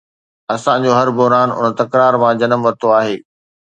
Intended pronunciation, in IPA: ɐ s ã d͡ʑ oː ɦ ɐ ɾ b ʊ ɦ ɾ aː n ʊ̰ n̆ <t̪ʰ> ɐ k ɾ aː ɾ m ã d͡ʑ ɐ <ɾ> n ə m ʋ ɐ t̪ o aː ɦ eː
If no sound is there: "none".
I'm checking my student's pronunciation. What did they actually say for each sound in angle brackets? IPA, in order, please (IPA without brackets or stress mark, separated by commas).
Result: t̪, none